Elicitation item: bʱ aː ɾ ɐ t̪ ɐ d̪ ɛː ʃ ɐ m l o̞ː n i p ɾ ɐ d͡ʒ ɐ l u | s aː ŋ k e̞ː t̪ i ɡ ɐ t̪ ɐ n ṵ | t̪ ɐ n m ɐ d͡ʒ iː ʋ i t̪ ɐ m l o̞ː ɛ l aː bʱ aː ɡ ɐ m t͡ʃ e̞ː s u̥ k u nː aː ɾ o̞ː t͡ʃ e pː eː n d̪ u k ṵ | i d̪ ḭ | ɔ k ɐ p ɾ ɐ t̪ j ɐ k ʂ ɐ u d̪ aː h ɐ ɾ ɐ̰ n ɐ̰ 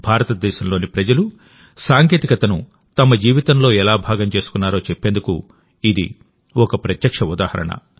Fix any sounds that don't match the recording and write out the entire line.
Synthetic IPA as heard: bʱ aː ɾ ɐ t̪ ɐ d̪ ɛː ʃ ɐ m l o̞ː n i p ɾ ɐ d͡ʒ ɐ l u | s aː ŋ k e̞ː t̪ i k ɐ t̪ ɐ n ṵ | t̪ ɐ m ɐ d͡ʒ iː ʋ i t̪ ɐ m l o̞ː ɛ l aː bʱ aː ɡ ɐ m t͡ʃ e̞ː s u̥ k u nː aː ɾ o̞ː t͡ʃ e pː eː n d̪ u k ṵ | i d̪ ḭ | ɔ k ɐ p ɾ ɐ t̪ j ɐ k ʂ ɐ u d̪ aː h ɐ ɾ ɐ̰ ɳ ɐ̰